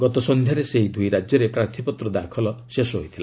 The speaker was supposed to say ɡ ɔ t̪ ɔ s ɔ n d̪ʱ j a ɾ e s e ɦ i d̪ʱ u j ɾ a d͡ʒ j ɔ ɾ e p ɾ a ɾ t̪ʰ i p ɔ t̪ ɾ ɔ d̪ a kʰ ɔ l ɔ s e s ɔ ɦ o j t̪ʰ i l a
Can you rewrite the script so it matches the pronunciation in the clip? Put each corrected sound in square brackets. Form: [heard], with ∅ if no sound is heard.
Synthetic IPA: ɡ ɔ t̪ ɔ s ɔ n d̪ʱ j a ɾ e s e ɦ i d̪ʱ u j ɾ a d͡ʒ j ɔ ɾ e p ɾ a ɾ t̪ʰ i p ɔ t̪ ɾ ɔ d̪ a kʰ ɔ l ɔ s e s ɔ ɦ o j t̪ʰ i l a